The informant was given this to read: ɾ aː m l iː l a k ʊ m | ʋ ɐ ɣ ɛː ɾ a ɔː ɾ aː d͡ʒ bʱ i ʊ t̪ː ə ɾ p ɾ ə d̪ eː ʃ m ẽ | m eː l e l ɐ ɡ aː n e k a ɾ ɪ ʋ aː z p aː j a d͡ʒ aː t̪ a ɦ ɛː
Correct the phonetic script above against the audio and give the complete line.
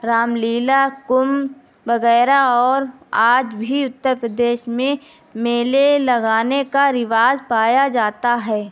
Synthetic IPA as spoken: ɾ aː m l iː l a k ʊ m | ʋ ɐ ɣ ɛː ɾ a ɔː ɾ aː d͡ʒ bʱ i ʊ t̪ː ə ɾ p ɾ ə d̪ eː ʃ m ẽ | m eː l e l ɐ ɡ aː n e k a ɾ ɪ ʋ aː z p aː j a d͡ʒ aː t̪ a ɦ ɛː